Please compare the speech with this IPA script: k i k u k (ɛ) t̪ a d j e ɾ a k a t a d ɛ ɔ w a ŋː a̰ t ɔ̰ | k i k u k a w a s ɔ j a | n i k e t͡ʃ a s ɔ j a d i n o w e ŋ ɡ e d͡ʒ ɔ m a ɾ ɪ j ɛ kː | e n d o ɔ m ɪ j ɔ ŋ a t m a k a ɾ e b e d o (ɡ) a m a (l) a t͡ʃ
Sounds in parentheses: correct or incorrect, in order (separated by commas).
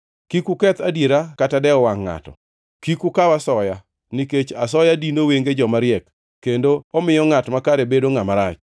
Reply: correct, incorrect, incorrect